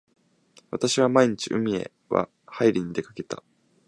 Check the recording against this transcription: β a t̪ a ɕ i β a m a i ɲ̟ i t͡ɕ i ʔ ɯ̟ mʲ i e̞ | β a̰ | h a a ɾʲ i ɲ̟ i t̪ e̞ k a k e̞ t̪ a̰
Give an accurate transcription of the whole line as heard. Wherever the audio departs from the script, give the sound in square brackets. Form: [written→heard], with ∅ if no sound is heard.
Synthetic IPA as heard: β a t̪ a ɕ i β a m a i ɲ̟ i t͡ɕ i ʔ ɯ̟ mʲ i e̞ | β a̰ | h a [a→i] ɾʲ i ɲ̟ i [t̪→d̪] e̞ k a k e̞ t̪ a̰